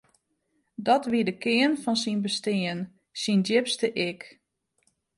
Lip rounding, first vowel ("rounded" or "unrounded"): rounded